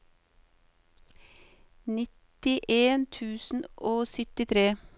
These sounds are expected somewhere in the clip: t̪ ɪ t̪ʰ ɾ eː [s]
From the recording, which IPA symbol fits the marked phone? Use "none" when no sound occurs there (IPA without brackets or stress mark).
none